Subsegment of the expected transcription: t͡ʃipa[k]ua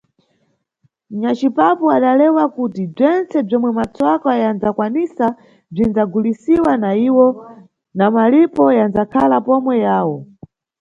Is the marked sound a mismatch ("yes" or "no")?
yes